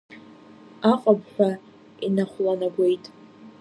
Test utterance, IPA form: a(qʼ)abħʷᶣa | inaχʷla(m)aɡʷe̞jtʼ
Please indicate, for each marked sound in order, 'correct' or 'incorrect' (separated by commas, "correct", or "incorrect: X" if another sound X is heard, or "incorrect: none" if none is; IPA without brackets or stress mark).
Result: correct, incorrect: n